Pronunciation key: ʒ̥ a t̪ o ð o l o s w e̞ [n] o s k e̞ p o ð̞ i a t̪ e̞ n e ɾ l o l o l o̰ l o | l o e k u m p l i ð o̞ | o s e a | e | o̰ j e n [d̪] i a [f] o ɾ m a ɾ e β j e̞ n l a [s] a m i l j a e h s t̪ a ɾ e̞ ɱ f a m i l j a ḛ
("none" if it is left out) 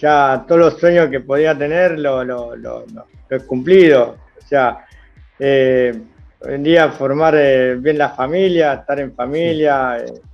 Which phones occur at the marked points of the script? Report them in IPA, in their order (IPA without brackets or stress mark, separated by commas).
ɲ, d̪, f, f